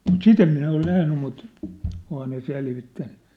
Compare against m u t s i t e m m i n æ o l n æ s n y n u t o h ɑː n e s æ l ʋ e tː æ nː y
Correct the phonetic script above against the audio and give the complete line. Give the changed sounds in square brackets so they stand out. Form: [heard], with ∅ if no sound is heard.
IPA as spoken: m u t s i t e m m i n æ o l n æ [h] n y [m] u t o h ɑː n e s [e] l ʋ [i] tː æ nː y